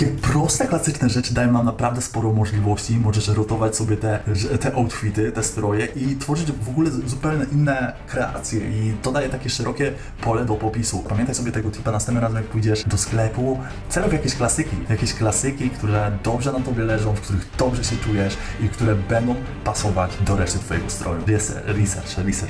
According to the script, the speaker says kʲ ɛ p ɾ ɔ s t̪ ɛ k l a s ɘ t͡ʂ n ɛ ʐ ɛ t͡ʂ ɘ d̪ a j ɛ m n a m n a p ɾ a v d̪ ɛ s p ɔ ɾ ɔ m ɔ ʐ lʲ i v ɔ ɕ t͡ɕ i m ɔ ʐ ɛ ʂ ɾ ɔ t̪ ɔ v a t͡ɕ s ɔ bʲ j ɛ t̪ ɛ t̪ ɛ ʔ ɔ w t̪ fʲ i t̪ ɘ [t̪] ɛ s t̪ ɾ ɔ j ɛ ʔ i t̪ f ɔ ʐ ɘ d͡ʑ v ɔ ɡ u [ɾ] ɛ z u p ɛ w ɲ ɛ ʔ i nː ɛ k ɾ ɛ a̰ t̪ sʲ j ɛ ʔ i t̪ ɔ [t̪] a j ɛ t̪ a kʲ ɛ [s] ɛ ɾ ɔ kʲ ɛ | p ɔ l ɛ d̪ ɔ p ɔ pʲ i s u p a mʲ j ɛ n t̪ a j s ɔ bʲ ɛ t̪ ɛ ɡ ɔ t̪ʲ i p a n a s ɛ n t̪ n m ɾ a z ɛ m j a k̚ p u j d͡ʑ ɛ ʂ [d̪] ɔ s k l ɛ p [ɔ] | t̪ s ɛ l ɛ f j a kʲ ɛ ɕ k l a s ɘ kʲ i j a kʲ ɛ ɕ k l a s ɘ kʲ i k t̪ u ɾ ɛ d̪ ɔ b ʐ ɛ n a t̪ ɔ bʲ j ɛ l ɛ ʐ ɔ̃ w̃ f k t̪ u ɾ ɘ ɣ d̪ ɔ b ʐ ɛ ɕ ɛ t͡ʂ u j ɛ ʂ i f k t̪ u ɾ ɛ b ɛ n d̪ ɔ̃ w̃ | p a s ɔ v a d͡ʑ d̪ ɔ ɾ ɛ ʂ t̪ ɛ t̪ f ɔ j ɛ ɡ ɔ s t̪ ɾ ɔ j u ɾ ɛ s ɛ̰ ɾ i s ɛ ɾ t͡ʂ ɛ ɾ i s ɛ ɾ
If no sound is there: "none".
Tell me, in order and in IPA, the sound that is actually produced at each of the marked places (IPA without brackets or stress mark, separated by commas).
t̪, l, d̪, ʂ, d̪, u